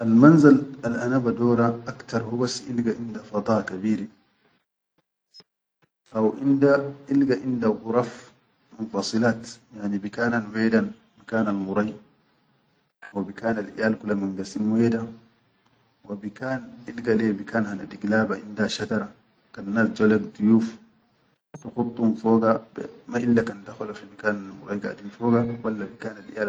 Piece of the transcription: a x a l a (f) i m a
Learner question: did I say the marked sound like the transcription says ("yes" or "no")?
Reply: yes